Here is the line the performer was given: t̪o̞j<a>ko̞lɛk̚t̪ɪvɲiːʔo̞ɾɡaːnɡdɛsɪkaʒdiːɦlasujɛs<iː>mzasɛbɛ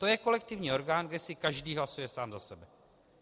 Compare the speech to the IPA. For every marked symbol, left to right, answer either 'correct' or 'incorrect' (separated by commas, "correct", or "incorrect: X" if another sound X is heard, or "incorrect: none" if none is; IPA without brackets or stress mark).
incorrect: ɛ, incorrect: aː